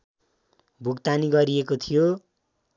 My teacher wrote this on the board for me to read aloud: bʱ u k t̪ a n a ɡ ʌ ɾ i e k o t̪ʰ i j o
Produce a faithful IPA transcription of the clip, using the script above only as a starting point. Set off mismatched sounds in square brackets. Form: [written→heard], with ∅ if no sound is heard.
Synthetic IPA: bʱ u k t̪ a n [a→i] ɡ ʌ ɾ i e k o t̪ʰ i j o